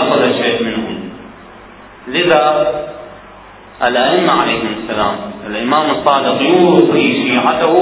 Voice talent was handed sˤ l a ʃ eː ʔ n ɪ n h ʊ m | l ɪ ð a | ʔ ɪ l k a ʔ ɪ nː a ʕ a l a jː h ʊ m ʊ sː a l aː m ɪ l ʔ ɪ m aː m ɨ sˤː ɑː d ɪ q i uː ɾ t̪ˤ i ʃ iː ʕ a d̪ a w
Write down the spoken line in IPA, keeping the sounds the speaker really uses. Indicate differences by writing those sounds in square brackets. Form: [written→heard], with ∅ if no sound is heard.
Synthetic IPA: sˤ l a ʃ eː ʔ [n→m] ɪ n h ʊ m | l ɪ ð a | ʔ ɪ l [k→ʔ] a ʔ ɪ [nː→mː] a ʕ a l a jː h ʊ m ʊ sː a l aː m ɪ l ʔ ɪ m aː m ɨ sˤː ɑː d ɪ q [i→j] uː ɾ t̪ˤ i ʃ iː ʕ a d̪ a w